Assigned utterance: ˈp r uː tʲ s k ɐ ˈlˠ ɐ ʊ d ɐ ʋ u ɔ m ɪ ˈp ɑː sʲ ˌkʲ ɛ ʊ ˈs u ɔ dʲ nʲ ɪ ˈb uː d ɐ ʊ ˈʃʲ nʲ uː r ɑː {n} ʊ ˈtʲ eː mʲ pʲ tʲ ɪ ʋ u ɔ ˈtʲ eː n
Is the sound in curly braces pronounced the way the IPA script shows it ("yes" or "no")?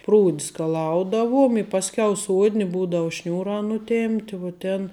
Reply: yes